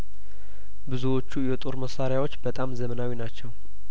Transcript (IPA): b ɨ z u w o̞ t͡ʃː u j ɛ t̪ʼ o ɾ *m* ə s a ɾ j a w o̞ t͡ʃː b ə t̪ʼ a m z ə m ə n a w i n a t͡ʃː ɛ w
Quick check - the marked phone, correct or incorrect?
correct